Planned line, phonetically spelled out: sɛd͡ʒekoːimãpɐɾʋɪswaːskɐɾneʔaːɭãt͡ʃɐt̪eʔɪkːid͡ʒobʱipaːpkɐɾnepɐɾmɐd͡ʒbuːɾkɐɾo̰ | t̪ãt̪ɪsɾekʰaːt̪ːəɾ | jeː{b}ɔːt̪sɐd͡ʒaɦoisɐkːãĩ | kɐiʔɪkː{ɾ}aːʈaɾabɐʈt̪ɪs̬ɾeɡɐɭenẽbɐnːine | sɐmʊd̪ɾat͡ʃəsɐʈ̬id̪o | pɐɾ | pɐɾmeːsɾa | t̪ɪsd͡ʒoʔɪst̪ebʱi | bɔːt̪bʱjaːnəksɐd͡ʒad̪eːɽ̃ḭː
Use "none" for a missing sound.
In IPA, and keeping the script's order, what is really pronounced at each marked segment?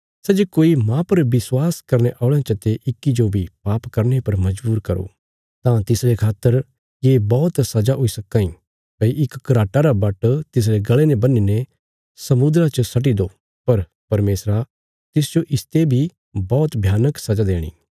b, ɾ

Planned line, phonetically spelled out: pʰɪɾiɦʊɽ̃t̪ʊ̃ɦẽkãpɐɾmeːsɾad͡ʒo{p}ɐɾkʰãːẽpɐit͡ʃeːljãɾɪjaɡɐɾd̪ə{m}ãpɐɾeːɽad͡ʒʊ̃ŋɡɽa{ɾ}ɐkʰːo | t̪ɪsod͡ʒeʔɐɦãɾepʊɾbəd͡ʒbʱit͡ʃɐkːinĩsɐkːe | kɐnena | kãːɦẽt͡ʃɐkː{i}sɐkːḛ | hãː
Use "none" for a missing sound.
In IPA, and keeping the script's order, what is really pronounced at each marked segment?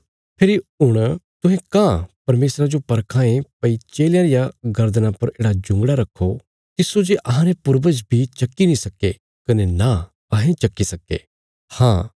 p, n, ɾ, i

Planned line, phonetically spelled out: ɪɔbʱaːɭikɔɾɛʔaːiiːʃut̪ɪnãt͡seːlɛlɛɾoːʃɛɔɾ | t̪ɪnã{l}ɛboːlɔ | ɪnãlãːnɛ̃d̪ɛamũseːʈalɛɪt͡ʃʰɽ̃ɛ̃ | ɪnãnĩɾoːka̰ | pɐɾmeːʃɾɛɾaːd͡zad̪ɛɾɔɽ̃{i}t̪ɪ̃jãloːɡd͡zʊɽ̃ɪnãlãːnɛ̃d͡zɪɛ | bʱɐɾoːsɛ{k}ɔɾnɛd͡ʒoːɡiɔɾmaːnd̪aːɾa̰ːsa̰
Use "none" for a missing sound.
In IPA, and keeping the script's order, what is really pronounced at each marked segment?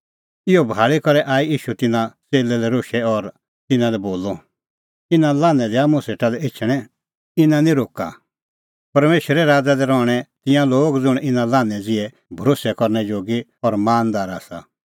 l, ɛ, k

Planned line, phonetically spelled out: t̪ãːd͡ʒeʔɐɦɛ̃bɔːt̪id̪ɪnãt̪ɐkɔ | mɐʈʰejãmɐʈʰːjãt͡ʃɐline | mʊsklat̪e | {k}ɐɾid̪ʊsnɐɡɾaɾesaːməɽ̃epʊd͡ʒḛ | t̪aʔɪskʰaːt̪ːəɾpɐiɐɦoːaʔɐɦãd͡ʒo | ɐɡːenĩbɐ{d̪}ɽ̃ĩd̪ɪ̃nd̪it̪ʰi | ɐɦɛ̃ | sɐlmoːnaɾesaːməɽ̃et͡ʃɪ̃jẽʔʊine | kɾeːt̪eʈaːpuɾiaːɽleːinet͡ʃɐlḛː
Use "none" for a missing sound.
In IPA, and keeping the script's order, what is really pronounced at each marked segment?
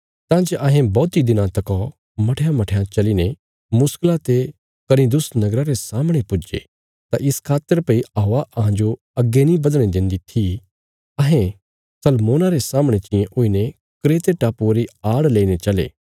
k, d̪

